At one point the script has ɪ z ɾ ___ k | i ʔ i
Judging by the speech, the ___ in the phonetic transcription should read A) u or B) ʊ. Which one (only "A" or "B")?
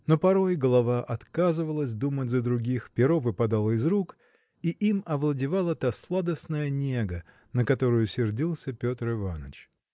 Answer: A